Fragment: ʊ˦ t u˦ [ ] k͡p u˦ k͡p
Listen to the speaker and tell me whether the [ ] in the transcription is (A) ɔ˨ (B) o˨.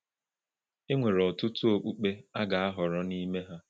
B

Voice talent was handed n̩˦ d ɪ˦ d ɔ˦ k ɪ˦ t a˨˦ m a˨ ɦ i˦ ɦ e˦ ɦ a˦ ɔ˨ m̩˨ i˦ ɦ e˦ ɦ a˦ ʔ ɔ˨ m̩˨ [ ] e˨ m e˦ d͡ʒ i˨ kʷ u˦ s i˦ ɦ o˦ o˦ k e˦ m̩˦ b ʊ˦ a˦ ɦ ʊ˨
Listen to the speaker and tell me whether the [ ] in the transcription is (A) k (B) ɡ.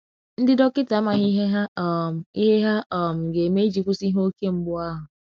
B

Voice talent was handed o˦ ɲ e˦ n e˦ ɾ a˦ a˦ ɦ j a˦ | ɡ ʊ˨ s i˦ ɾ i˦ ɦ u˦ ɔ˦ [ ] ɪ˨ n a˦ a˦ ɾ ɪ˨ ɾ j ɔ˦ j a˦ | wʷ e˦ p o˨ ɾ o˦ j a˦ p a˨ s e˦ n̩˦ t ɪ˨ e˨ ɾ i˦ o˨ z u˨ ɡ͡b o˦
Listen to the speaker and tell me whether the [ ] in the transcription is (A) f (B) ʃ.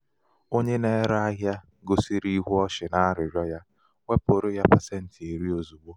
B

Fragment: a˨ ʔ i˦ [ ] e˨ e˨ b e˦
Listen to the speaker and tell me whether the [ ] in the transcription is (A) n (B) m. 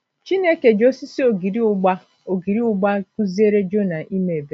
B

